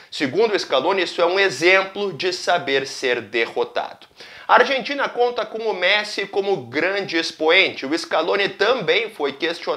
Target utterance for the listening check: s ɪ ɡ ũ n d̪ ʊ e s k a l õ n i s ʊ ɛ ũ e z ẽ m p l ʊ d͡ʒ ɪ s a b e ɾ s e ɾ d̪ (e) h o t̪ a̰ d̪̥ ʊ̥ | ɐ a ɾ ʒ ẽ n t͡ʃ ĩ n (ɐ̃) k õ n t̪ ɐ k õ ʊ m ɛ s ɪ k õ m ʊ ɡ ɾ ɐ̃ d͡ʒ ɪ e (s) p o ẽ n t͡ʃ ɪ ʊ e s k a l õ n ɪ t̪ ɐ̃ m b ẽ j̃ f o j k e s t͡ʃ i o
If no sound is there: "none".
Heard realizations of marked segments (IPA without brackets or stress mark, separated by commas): e, ɐ, s